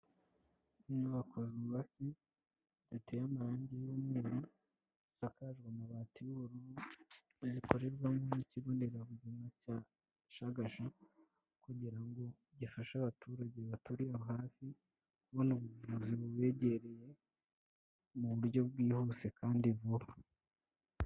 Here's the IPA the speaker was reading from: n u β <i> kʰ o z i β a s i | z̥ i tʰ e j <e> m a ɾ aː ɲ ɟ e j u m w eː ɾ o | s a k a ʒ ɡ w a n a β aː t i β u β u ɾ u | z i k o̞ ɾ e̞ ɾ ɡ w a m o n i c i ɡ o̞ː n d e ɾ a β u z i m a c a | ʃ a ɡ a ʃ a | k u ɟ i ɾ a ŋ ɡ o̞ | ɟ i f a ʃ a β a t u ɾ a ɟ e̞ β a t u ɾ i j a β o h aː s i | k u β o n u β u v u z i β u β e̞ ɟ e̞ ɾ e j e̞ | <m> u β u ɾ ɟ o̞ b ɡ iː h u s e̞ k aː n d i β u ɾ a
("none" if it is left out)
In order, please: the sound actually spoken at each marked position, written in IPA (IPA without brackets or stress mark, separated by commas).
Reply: a, a, m